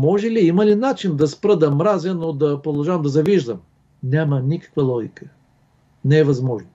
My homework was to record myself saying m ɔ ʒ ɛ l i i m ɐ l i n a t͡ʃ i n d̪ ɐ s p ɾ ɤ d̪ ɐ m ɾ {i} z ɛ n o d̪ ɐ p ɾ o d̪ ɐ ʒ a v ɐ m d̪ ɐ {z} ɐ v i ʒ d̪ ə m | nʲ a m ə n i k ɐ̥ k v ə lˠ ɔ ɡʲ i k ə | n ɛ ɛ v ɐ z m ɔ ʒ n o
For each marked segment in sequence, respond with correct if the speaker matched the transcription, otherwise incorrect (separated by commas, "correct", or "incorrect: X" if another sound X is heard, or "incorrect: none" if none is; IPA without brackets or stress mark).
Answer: incorrect: a, correct